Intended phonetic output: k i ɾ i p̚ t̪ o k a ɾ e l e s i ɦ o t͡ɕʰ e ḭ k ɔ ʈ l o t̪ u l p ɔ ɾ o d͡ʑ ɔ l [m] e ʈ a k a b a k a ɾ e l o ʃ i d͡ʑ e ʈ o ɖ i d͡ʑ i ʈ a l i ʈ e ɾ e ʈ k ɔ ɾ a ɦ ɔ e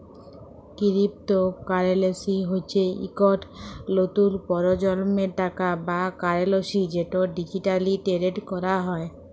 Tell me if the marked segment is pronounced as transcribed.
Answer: yes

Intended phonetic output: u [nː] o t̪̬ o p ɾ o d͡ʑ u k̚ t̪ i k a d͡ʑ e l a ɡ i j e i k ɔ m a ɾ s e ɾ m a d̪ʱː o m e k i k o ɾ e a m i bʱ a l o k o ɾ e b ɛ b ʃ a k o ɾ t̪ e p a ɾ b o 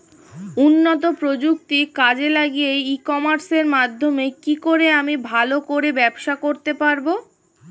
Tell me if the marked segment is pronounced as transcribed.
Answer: yes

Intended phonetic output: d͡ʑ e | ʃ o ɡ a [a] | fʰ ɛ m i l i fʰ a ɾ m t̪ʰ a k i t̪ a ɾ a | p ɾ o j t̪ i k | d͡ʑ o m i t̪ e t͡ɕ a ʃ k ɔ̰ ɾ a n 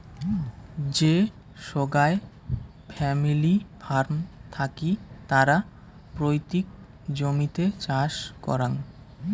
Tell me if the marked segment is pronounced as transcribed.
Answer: no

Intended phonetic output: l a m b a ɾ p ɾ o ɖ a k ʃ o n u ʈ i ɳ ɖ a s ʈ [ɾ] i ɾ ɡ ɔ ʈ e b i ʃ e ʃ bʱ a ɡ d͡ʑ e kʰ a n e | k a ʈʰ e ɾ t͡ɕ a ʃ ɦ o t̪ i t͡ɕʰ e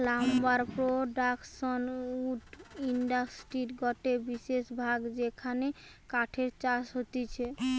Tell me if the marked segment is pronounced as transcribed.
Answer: yes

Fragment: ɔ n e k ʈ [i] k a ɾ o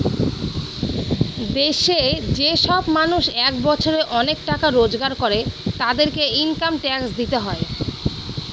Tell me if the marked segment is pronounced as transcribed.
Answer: no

